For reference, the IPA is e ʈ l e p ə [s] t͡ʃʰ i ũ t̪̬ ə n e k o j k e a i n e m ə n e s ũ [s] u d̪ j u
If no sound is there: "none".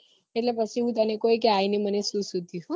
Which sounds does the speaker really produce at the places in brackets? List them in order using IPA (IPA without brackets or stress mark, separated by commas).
none, s